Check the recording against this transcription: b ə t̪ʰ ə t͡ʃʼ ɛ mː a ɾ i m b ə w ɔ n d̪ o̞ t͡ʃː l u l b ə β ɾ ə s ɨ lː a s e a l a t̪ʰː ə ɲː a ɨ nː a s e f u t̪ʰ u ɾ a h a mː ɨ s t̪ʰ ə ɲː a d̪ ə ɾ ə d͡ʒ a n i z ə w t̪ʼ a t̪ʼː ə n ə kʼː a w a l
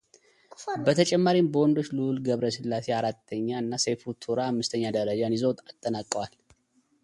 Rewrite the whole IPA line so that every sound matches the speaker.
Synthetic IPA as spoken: b ə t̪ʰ ə t͡ʃʼ ɛ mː a ɾ i m b ə w ɔ n d̪ o̞ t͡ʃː l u l ɡ ə β ɾ ə s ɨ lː a s e a ɾ a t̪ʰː ə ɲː a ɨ nː a s e f u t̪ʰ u ɾ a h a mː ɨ s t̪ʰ ə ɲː a d̪ ə ɾ ə d͡ʒ a n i z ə w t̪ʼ a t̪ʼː ə n a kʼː ə w a l